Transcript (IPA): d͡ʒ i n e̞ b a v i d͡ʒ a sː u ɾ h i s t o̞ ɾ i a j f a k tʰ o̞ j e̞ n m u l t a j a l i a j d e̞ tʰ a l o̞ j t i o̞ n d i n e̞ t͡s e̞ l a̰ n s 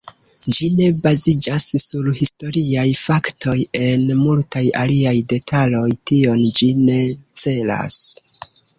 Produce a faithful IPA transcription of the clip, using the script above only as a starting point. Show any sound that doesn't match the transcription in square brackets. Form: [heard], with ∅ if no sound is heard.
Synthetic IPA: d͡ʒ i n e̞ b a [z] i d͡ʒ a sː u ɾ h i s t o̞ ɾ i a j f a k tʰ o̞ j e̞ n m u l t a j a l i a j d e̞ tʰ a l o̞ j t i o̞ n [d͡ʒ] i n e̞ t͡s e̞ l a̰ [∅] s